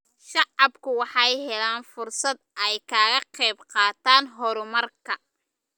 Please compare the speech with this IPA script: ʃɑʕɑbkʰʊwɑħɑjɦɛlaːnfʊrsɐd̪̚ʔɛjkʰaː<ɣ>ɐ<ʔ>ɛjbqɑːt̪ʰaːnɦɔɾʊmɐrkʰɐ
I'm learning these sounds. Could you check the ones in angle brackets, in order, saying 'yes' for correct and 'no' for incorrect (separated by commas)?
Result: yes, no